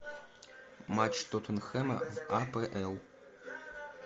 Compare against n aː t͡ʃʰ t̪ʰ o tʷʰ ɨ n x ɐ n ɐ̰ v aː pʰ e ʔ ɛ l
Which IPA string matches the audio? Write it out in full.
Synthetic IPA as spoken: m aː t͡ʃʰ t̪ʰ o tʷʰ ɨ n x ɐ m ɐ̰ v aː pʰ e ʔ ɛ l